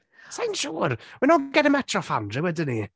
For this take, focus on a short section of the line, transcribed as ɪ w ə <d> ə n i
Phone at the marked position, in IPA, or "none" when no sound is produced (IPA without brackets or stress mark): d